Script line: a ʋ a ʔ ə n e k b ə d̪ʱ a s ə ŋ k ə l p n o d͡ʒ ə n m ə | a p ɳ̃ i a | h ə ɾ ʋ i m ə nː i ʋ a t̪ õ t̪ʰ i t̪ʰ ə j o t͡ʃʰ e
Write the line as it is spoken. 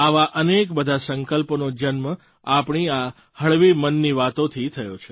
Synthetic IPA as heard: a ʋ a ʔ ə n e k b ə d̪ʱ a s ə ŋ k ə l p n o d͡ʒ ə n m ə | a p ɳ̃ i a | h ə ɭ ʋ i m ə nː i ʋ a t̪ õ t̪ʰ i t̪ʰ ə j o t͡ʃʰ e